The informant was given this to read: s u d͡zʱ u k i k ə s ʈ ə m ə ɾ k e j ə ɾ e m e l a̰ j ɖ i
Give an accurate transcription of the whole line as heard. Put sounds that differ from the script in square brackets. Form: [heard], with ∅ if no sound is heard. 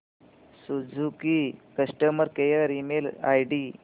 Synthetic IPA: s u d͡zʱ u k i k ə s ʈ ə m ə ɾ k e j ə ɾ [i] m e l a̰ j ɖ i